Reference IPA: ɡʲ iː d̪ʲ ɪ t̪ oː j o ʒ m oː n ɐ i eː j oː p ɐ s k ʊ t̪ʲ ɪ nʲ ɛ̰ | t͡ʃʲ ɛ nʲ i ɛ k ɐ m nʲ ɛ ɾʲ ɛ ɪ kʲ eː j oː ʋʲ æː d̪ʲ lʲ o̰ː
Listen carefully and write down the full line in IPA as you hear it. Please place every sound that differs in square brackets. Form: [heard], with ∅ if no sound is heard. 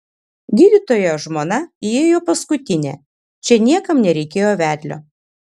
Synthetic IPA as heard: ɡʲ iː d̪ʲ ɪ t̪ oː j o ʒ m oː n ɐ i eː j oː p ɐ s k ʊ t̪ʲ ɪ nʲ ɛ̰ | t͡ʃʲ ɛ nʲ i ɛ k ɐ m nʲ ɛ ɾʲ ɛ ɪ kʲ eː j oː ʋʲ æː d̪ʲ lʲ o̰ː